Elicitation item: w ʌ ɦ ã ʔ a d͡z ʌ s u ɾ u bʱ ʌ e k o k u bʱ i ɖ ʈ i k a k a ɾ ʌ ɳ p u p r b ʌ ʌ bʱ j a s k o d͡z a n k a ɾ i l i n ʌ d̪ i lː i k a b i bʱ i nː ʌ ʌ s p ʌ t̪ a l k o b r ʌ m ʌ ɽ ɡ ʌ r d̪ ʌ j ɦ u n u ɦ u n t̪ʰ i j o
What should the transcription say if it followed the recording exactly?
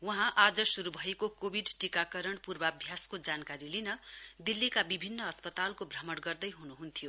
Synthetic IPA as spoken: w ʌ ɦ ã ʔ a d͡z ʌ s u ɾ u bʱ ʌ e k o k o bʱ i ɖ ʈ i k a k ʌ ɾ ʌ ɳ p u r b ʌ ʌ bʱ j a s k o d͡z a n k a ɾ i l i n ʌ d̪ i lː i k a b i bʱ i nː ʌ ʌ s p ʌ t̪ a l k o b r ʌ m ʌ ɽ ɡ ʌ r d̪ ʌ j ɦ u n u ɦ u n t̪ʰ i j o